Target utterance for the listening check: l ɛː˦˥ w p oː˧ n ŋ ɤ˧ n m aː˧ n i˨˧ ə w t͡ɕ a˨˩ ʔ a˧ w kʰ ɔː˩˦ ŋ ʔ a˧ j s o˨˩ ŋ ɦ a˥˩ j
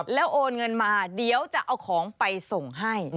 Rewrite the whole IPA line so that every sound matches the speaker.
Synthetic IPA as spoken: l ɛː˦˥ w ʔ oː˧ n ŋ ɤ˧ n m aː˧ d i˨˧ ə w t͡ɕ a˨˩ ʔ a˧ w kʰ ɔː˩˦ ŋ p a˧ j s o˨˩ ŋ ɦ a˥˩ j